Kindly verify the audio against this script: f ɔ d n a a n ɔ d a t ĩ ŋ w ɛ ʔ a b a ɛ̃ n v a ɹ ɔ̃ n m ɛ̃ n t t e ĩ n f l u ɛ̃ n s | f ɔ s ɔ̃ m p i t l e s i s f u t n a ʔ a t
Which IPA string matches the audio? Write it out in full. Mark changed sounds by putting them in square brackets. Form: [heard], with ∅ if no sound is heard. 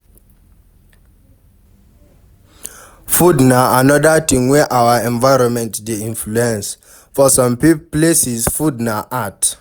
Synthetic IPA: f [u] d n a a n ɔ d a t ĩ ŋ w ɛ ʔ a [w] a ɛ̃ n v a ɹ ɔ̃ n m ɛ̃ n t [d] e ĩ n f l u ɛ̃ n s | f ɔ s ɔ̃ m p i [p] l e s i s f u [d] n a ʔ a t